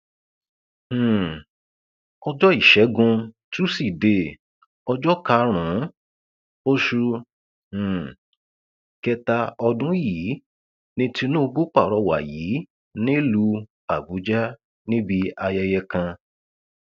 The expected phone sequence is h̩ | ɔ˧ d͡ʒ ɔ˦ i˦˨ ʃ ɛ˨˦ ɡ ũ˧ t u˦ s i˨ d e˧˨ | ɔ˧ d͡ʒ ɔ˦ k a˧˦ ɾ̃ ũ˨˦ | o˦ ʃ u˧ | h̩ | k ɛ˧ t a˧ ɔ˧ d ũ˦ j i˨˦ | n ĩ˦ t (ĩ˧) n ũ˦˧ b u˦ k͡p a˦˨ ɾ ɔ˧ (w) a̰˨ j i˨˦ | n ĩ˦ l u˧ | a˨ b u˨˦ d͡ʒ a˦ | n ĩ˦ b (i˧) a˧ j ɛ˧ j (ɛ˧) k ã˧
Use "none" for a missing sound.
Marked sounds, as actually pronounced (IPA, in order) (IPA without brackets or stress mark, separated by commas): i˧, w, i˧, ɛ˧